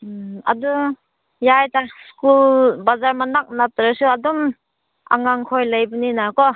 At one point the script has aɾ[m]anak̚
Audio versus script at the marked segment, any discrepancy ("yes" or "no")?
no